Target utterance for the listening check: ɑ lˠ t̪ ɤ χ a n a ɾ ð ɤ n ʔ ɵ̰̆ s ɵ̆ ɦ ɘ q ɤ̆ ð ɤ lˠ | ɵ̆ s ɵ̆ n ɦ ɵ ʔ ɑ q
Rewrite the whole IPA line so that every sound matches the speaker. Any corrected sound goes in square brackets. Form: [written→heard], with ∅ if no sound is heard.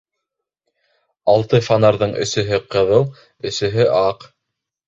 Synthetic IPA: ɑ lˠ t̪ ɤ [χ→f] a n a ɾ ð ɤ [n→ɴ] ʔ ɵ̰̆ s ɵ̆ ɦ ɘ q ɤ̆ ð ɤ lˠ | ɵ̆ s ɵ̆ [n→∅] ɦ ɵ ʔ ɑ q

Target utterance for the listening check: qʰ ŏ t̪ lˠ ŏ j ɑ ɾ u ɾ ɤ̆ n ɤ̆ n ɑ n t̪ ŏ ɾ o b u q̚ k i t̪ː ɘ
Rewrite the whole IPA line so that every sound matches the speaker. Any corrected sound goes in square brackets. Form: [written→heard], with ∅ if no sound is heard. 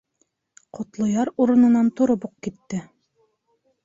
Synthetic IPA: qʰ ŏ t̪ lˠ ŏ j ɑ ɾ u ɾ ɤ̆ n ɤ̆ n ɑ n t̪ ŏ ɾ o b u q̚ k i t̪ː ɘ

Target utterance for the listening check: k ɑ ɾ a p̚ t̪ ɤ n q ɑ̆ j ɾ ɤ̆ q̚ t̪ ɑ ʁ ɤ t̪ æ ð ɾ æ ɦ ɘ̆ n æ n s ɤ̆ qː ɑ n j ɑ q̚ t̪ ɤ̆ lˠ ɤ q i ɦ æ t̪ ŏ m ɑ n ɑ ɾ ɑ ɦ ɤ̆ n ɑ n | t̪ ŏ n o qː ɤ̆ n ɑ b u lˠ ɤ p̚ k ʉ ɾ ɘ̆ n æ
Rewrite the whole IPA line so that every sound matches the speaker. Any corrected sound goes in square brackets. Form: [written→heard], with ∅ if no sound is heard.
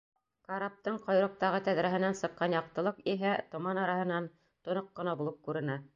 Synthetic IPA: k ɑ ɾ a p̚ t̪ ɤ [n→ɴ] q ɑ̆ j ɾ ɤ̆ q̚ t̪ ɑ ʁ ɤ t̪ æ ð ɾ æ ɦ ɘ̆ n æ n s ɤ̆ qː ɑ n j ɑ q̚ t̪ ɤ̆ lˠ ɤ q i ɦ æ t̪ ŏ m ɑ n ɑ ɾ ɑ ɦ ɤ̆ n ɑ n | t̪ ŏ n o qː ɤ̆ n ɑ b u lˠ ɤ p̚ k ʉ ɾ ɘ̆ n æ

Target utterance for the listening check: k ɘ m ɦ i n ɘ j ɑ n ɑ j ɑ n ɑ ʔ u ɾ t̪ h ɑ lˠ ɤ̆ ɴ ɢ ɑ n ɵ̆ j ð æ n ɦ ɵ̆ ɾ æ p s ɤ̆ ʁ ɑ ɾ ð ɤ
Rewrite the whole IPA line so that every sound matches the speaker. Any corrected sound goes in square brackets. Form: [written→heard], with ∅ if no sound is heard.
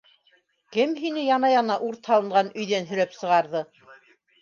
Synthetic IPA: k ɘ m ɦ i n ɘ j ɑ n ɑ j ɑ n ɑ ʔ u ɾ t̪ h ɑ lˠ ɤ̆ ɴ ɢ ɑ n ɵ̆ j ð æ n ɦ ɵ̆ ɾ æ p s ɤ̆ ʁ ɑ ɾ ð ɤ

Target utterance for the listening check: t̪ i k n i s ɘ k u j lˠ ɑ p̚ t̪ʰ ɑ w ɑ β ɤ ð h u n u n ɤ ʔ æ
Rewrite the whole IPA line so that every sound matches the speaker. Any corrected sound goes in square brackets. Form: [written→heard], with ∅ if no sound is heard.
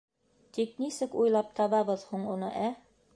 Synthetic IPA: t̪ i k n i s ɘ k u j lˠ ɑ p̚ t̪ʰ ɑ [w→β] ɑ β ɤ ð h u [n→ɴ] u n ɤ ʔ æ

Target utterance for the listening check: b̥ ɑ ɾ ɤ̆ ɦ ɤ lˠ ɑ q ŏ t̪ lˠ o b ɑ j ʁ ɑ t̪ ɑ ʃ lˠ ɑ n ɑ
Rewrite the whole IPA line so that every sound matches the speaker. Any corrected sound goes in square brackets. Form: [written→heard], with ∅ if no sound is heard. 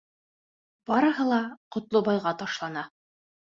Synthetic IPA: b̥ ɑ ɾ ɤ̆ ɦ ɤ lˠ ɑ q ŏ t̪ lˠ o b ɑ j ʁ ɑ t̪ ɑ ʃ lˠ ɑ n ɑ

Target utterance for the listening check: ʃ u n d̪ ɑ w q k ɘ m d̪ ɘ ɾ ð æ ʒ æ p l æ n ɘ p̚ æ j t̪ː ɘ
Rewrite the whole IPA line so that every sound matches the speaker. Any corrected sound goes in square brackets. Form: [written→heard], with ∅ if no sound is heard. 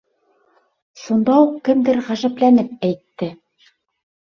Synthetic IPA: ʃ u n d̪ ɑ [w→u] q k ɘ m d̪ ɘ ɾ [ð→ʁ] æ ʒ æ p l æ n ɘ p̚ æ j t̪ː ɘ

